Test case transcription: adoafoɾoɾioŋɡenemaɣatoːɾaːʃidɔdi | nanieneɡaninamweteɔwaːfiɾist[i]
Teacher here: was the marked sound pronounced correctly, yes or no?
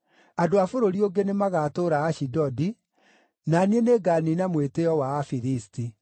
yes